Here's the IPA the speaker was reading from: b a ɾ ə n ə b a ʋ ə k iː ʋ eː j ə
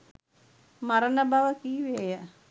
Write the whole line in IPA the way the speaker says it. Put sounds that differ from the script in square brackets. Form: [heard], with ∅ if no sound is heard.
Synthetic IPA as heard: [m] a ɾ ə n ə b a ʋ ə k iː ʋ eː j ə